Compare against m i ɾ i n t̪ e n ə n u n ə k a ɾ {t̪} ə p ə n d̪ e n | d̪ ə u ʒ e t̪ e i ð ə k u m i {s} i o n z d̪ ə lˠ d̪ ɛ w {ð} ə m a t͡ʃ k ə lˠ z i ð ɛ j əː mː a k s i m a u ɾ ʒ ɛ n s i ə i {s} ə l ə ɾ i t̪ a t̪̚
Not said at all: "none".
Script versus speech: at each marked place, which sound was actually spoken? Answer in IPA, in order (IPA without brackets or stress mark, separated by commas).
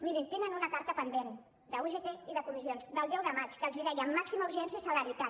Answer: t̪, z, ð, s